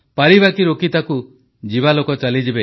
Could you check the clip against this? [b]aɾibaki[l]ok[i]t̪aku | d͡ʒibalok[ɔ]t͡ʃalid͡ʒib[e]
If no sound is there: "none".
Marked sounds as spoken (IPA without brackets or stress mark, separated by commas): p, ɾ, i, ɔ, e